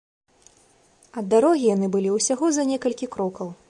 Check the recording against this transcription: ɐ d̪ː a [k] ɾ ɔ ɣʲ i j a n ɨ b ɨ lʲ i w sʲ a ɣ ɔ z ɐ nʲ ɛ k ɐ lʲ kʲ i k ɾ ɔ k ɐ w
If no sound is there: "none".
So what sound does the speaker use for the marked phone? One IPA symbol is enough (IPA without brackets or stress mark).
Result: none